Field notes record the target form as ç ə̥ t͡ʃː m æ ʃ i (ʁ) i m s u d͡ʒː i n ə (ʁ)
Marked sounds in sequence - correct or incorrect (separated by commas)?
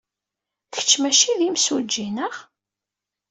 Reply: incorrect, correct